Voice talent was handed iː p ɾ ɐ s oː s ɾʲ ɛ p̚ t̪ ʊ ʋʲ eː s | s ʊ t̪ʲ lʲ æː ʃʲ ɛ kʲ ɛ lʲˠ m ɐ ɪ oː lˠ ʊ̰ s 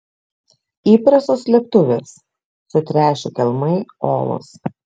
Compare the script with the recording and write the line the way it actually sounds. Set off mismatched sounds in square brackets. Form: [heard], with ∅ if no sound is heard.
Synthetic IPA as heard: iː p ɾ ɐ s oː s [lʲ] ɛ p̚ t̪ ʊ ʋʲ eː s | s ʊ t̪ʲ [ɾʲ] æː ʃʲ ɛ kʲ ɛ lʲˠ m ɐ ɪ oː lˠ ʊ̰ s